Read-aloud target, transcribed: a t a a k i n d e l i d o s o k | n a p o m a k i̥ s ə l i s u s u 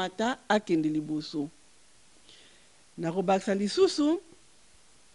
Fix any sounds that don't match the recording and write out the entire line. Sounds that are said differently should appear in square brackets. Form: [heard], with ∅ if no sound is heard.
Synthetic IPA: a t a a k [ɛ] n d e l i [b] o s o [∅] | n a [k] o [b] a k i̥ s [a] l i s u s u